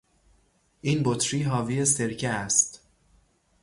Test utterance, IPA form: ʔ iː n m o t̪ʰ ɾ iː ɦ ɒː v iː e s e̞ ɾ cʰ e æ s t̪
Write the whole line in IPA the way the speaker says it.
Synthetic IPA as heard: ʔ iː n b o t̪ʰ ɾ iː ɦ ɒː v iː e s e̞ ɾ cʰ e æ s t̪